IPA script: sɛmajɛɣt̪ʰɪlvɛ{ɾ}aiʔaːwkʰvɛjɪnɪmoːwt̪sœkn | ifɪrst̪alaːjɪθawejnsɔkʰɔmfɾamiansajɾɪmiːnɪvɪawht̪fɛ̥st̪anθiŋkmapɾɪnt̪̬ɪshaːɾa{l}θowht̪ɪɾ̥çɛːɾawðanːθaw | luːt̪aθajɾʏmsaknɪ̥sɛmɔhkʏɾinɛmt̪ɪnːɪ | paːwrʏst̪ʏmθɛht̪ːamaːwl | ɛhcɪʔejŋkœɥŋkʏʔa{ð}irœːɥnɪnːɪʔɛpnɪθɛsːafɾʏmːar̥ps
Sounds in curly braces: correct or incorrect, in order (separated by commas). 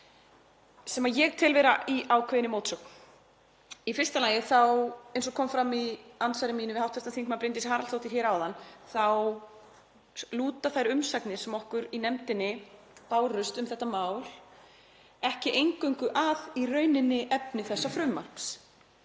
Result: correct, correct, correct